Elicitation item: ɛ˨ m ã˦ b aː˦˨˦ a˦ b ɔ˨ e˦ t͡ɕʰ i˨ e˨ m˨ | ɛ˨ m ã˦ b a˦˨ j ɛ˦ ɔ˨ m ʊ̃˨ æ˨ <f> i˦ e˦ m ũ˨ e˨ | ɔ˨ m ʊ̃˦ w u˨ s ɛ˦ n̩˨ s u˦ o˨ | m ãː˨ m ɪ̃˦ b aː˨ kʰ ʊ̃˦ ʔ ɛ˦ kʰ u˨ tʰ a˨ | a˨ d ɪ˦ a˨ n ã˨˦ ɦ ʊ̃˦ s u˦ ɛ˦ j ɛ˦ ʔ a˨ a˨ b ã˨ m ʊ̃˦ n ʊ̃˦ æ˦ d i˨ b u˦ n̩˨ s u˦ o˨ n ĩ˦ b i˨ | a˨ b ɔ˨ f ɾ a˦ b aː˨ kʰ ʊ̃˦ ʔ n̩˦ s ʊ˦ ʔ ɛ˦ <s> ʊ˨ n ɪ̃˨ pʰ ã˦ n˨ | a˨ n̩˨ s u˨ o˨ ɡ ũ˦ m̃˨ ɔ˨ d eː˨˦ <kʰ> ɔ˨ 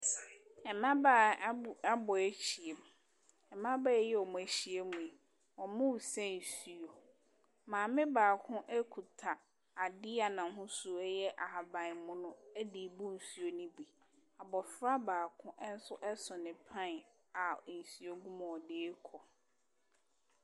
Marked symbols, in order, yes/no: no, yes, yes

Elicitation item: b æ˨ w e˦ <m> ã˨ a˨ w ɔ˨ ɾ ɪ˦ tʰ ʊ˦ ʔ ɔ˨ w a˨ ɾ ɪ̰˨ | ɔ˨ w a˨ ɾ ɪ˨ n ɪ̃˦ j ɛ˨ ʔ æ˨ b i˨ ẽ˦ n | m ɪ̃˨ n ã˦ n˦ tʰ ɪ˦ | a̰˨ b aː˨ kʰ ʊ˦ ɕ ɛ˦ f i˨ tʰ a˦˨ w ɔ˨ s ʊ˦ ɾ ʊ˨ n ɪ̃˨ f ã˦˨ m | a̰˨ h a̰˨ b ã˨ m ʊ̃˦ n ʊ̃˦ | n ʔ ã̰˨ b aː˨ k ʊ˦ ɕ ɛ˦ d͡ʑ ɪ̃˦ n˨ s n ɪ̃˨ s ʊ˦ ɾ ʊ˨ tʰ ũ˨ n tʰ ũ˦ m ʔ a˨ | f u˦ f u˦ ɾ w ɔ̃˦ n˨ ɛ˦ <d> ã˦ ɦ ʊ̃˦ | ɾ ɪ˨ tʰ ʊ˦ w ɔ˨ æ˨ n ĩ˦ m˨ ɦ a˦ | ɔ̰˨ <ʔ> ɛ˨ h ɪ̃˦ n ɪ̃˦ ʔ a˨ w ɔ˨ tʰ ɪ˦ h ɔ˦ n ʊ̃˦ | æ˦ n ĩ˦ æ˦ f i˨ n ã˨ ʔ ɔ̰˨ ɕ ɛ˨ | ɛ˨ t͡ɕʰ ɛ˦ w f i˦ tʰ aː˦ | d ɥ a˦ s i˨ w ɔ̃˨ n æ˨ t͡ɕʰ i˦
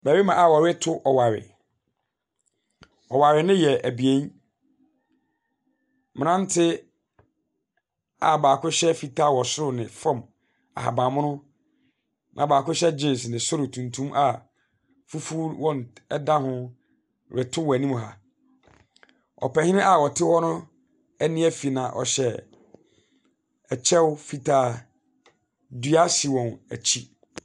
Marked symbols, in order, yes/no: yes, yes, no

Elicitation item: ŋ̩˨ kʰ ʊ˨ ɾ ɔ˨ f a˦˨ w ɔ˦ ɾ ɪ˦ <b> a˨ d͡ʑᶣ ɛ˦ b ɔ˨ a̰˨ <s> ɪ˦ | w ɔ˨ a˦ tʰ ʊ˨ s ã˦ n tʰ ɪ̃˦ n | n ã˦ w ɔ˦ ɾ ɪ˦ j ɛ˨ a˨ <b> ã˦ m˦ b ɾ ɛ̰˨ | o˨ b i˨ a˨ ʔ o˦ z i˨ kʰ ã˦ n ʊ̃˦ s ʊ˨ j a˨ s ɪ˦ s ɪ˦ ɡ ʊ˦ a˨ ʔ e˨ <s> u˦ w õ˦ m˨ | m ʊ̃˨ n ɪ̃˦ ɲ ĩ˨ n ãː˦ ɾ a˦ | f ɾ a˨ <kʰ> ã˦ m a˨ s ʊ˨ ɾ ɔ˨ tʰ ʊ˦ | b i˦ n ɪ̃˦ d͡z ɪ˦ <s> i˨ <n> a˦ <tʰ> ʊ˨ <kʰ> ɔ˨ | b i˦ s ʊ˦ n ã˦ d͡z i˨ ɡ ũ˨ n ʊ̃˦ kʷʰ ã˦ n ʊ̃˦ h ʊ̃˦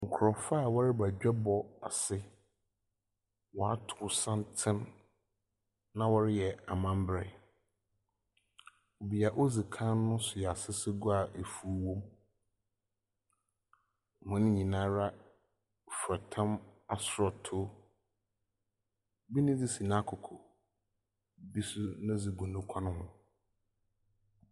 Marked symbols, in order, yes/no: yes, yes, no, no, no, yes, yes, no, yes

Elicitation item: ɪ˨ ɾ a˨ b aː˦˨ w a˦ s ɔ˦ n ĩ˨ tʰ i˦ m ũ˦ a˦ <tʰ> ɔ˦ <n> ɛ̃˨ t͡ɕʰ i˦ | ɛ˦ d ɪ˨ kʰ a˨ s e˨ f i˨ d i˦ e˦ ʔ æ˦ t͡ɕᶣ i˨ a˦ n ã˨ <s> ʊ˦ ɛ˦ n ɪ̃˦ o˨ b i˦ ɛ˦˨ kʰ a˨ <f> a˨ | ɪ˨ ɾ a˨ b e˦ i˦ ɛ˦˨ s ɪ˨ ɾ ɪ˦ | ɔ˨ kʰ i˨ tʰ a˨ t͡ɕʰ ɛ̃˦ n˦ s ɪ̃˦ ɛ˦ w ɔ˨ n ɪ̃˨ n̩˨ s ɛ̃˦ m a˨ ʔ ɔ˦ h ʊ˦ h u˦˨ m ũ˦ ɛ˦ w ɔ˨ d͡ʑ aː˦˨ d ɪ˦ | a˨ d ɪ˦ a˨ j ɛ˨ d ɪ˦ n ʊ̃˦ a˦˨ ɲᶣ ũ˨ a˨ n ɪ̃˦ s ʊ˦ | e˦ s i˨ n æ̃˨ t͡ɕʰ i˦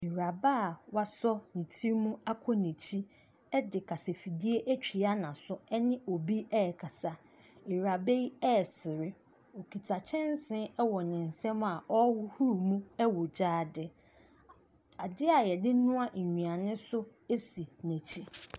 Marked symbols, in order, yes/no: no, yes, yes, no

